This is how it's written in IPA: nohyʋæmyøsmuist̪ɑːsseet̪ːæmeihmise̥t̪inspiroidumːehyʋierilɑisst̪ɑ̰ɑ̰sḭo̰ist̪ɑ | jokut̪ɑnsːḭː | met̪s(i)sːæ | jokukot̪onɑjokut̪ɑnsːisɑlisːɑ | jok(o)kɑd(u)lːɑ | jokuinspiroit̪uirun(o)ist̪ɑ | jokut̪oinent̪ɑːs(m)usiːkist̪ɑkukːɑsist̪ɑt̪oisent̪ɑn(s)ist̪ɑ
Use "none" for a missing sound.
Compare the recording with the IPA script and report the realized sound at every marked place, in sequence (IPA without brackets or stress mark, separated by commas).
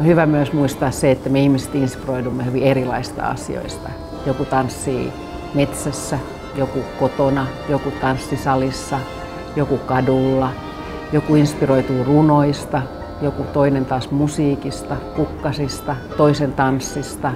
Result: æ, u, u, o, m, sː